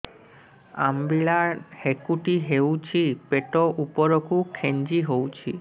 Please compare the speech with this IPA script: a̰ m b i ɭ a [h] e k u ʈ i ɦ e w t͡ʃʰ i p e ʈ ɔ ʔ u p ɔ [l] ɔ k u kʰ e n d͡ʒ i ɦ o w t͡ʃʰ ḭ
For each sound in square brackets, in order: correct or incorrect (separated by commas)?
correct, incorrect